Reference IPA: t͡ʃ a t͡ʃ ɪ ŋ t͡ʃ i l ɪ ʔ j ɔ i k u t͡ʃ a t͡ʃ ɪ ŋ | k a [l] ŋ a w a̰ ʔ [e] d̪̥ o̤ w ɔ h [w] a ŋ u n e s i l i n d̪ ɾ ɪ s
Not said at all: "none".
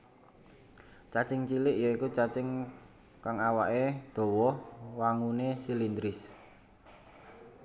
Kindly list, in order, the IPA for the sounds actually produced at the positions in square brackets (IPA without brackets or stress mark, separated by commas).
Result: none, e, w